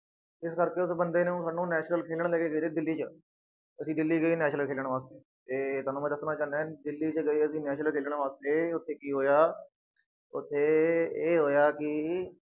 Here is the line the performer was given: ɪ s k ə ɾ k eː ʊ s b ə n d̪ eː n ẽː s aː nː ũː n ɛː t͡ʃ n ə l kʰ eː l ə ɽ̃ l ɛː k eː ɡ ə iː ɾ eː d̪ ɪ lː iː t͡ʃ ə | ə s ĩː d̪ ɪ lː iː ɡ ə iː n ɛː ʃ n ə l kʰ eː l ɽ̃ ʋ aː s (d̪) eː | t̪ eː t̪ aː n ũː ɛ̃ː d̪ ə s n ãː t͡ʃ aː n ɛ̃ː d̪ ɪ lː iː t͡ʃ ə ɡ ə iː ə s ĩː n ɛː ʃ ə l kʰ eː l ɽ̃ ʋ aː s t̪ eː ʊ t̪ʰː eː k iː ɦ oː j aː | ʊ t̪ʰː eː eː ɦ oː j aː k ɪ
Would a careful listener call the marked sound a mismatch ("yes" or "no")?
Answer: yes